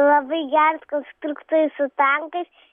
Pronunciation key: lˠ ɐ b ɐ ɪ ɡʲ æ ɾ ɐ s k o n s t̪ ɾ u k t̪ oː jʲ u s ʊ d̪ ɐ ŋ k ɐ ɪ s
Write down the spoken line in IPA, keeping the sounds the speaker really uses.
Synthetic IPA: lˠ ɐ b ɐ ɪ ɡʲ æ ɾ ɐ s k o n s t̪ ɾ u k t̪ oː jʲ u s ʊ t̪ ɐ ŋ k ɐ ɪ s

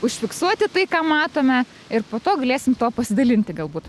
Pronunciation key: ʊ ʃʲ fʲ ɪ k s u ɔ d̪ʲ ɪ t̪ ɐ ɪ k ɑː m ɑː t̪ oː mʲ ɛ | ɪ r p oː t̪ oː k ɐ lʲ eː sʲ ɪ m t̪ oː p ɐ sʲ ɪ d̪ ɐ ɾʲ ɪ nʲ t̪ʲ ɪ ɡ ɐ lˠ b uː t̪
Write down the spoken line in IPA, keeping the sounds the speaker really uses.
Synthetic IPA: ʊ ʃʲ fʲ ɪ k s u ɔ t̪ʲ ɪ t̪ ɐ ɪ k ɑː m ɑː t̪ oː mʲ ɛ | ɪ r p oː t̪ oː ɡ ɐ lʲ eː sʲ ɪ m t̪ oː p ɐ sʲ ɪ d̪ ɐ lʲ ɪ nʲ t̪ʲ ɪ ɡ ɐ lˠ b uː t̪

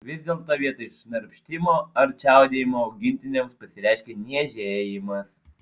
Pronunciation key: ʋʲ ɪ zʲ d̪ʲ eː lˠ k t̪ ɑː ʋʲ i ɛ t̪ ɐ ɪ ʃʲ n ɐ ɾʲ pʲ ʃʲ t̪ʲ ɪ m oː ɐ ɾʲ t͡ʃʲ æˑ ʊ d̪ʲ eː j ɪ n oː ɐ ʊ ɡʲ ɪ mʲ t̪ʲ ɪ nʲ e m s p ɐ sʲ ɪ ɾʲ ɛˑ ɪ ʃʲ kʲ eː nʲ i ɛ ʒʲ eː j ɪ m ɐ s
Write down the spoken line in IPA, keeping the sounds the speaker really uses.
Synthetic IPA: ʋʲ ɪ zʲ d̪ʲ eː lˠ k t̪ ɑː ʋʲ i ɛ t̪ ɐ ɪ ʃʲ n ɐ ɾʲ pʲ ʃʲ t̪ʲ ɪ m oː ɐ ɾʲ t͡ʃʲ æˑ ʊ d̪ʲ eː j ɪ m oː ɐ ʊ ɡʲ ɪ nʲ t̪ʲ ɪ nʲ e m s p ɐ sʲ ɪ ɾʲ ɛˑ ɪ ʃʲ kʲ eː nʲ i ɛ ʒʲ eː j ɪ m ɐ s

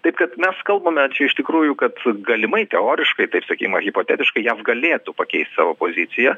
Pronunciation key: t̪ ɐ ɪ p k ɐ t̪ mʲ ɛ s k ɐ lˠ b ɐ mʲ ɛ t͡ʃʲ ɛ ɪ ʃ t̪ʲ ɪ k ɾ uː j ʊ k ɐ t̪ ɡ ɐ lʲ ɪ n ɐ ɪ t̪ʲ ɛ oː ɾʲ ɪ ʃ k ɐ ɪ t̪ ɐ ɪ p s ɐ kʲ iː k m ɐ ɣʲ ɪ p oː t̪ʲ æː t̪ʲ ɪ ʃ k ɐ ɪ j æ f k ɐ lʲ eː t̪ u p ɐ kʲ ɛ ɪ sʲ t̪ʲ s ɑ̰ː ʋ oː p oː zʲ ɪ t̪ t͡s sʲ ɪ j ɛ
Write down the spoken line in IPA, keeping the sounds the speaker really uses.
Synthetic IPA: t̪ ɐ ɪ p k ɐ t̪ mʲ ɛ s k ɐ lˠ b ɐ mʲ ɛ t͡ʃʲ ɛ ɪ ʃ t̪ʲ ɪ k ɾ uː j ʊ k ɐ t̪ ɡ ɐ lʲ ɪ m ɐ ɪ t̪ʲ ɛ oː ɾʲ ɪ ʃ k ɐ ɪ t̪ ɐ ɪ p s ɐ kʲ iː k m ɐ ɣʲ ɪ p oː t̪ʲ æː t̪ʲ ɪ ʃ k ɐ ɪ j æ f ɡ ɐ lʲ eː t̪ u p ɐ kʲ ɛ ɪ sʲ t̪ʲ s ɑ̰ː ʋ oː p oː zʲ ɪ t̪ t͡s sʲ ɪ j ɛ

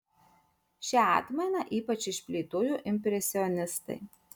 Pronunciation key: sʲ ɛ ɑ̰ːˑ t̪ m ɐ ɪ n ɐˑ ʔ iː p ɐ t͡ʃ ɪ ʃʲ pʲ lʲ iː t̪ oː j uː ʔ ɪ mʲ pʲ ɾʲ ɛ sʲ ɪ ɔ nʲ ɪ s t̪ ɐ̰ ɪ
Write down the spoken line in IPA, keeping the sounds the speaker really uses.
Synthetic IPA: ʃʲ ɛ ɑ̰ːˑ t̪ m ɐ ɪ n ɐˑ ʔ iː p ɐ t͡ʃ ɪ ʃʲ pʲ lʲ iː t̪ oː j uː ʔ ɪ mʲ pʲ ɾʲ ɛ sʲ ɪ ɔ nʲ ɪ s t̪ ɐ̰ ɪ

